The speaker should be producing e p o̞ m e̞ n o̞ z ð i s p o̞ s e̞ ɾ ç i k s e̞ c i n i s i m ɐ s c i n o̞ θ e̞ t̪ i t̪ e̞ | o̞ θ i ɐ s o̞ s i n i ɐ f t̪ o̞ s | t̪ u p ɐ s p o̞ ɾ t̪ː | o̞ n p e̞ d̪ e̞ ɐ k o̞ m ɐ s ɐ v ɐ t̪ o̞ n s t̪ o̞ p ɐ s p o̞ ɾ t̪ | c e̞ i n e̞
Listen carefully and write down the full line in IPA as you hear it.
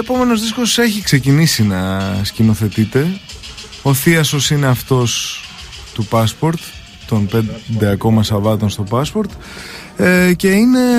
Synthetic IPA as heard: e p o̞ m e̞ n o̞ z ð i s k o̞ s e̞ ç i k s e̞ c i n i s i n ɐ s c i n o̞ θ e̞ t̪ i t̪ e̞ | o̞ θ i ɐ s o̞ s i n e ɐ f t̪ o̞ s | t̪ u p ɐ s p o̞ ɾ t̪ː | o̞ n p e̞ d̪ e̞ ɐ k o̞ m ɐ s ɐ v ɐ t̪ o̞ n s t̪ o̞ p ɐ s p o̞ ɾ t̪ | c e̞ i n e̞